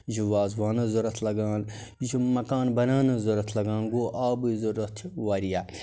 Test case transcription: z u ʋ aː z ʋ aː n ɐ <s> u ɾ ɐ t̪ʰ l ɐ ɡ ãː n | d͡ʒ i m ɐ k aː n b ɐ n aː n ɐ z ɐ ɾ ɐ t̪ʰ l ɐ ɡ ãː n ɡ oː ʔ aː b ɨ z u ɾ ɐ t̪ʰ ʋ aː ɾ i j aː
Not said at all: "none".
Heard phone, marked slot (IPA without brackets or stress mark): z